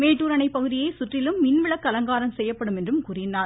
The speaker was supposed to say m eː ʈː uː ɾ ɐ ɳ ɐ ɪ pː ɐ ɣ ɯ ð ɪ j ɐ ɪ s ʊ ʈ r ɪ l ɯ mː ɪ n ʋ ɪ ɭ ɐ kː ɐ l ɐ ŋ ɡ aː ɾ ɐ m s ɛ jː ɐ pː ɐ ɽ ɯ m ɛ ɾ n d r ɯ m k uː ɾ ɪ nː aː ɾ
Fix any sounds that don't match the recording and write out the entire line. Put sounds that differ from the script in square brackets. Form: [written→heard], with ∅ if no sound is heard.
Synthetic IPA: m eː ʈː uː ɾ ɐ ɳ ɐ ɪ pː ɐ ɣ ɯ ð ɪ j ɐ ɪ s ʊ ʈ r ɪ l ɯ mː ɪ n ʋ ɪ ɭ ɐ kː ɐ l ɐ ŋ ɡ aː ɾ ɐ m s ɛ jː ɐ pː ɐ ɽ ɯ m ɛ [ɾ→∅] n d r ɯ m k uː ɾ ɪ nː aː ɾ